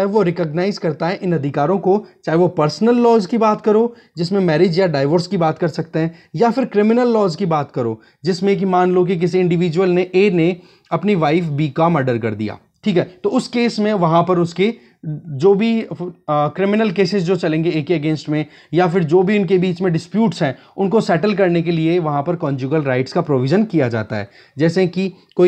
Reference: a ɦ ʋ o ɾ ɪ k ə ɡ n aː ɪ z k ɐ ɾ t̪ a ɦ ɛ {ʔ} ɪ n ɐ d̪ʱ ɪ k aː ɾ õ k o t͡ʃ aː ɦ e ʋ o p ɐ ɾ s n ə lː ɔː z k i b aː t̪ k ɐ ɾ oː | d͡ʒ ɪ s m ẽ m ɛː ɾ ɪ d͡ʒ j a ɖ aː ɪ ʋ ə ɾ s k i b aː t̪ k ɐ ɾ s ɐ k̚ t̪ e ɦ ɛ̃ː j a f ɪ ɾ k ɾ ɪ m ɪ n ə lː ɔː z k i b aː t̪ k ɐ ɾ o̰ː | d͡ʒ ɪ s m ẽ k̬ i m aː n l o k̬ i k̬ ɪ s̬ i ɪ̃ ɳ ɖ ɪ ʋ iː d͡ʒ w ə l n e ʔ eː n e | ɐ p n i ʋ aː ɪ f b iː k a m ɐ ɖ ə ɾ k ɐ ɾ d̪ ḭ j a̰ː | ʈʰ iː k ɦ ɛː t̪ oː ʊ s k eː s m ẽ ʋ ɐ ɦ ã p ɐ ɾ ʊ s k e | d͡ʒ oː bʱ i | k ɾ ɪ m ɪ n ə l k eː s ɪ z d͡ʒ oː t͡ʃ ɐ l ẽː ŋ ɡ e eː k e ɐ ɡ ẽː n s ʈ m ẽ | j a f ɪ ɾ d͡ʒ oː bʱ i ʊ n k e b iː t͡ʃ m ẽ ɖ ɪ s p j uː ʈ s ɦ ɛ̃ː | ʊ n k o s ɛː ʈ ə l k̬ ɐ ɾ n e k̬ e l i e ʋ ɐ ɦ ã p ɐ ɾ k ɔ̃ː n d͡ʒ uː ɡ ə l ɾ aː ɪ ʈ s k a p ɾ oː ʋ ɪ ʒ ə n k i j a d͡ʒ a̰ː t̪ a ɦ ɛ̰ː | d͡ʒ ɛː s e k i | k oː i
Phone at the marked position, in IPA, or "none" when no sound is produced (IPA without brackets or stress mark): ʔ